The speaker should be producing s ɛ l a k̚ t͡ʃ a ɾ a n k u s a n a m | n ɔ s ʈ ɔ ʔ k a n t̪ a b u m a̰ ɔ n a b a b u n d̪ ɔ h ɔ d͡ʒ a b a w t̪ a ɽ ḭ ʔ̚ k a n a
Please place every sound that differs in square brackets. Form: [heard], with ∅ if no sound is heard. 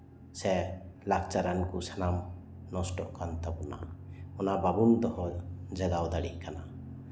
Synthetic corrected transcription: s ɛ l a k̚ t͡ʃ a ɾ a n k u s a n a m | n ɔ s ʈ ɔ ʔ k a n t̪ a b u [n] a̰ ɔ n a b a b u n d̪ ɔ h ɔ d͡ʒ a [ɡ] a w [d̪] a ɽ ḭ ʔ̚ k a n a